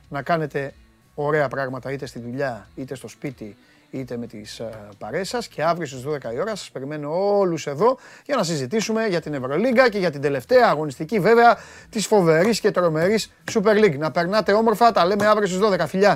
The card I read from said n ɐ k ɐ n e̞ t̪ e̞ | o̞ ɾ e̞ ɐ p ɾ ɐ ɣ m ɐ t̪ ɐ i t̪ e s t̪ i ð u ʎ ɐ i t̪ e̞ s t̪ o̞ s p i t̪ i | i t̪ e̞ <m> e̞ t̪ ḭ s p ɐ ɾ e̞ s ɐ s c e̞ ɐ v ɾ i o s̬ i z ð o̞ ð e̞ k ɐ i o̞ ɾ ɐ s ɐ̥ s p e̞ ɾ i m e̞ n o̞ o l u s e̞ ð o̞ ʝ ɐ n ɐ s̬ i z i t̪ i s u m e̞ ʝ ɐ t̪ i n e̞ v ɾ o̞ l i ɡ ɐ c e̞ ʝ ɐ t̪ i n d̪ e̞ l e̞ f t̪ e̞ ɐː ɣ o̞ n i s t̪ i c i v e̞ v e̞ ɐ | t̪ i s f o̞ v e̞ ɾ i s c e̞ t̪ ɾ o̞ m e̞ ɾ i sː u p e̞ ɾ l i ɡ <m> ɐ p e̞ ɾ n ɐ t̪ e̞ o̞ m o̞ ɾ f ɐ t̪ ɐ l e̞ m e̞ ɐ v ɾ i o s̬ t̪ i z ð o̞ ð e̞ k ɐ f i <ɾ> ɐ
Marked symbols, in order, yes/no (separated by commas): yes, no, no